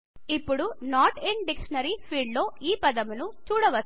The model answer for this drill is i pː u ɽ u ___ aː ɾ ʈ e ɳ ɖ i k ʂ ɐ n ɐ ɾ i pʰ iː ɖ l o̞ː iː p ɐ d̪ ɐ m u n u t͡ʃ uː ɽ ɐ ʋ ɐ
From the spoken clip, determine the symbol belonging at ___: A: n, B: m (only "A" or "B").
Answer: A